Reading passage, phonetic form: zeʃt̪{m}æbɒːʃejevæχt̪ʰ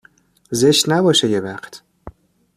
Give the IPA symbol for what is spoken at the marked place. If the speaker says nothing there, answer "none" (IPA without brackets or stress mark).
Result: n